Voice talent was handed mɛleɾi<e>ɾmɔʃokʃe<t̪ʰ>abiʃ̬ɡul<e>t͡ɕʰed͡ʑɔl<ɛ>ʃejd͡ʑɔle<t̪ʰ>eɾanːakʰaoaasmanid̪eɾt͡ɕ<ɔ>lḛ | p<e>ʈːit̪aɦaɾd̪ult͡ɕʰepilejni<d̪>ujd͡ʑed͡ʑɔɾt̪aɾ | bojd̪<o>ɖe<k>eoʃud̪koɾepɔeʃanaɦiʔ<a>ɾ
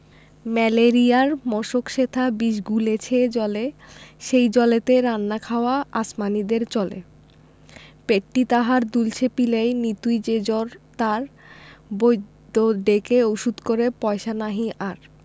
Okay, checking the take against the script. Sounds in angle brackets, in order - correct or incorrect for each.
incorrect, correct, correct, incorrect, incorrect, correct, correct, incorrect, correct, correct, correct

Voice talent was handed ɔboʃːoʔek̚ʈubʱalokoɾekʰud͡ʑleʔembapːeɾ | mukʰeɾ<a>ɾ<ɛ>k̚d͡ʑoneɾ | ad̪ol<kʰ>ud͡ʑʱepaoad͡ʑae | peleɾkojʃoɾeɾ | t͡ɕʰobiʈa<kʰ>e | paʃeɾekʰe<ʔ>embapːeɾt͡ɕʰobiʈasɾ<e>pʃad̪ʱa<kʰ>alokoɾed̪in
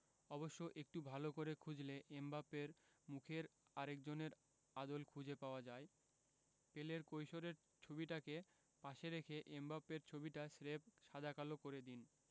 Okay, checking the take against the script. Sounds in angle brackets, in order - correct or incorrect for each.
correct, incorrect, correct, incorrect, correct, correct, incorrect

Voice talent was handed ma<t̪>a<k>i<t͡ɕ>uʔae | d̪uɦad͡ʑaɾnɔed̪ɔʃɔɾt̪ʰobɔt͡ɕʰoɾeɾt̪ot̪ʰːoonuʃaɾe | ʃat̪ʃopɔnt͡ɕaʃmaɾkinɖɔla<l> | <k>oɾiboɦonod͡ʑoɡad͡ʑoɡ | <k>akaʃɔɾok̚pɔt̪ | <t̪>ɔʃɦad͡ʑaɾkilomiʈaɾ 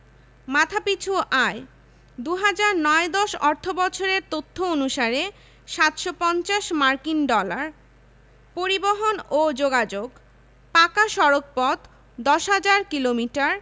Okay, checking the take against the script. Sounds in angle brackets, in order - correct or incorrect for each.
incorrect, incorrect, incorrect, incorrect, incorrect, incorrect, incorrect

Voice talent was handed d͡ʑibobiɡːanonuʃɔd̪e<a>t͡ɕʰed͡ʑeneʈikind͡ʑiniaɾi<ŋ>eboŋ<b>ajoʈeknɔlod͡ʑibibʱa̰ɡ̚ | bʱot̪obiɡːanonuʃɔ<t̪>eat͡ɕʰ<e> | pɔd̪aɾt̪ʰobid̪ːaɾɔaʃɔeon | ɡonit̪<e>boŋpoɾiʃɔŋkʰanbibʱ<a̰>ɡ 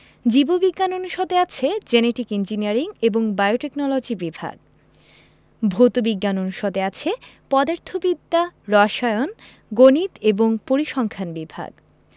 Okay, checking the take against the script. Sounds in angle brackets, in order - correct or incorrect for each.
correct, correct, correct, incorrect, correct, correct, correct

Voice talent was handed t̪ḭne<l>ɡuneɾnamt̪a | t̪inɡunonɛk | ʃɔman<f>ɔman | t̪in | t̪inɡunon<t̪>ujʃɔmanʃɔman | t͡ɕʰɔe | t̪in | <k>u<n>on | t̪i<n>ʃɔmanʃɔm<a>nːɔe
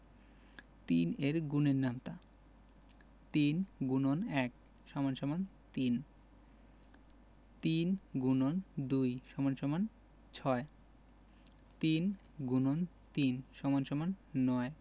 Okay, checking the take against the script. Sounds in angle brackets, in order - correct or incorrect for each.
incorrect, incorrect, incorrect, incorrect, correct, correct, correct

